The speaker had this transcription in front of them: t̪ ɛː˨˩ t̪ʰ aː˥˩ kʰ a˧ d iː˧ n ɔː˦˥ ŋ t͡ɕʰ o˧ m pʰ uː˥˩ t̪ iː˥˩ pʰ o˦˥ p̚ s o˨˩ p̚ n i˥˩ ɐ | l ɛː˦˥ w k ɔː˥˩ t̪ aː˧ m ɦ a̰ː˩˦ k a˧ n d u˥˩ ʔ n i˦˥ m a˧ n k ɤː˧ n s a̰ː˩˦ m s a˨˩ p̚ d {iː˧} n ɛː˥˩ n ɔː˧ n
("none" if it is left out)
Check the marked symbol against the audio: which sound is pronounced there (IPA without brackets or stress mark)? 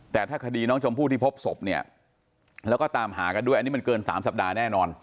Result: aː˧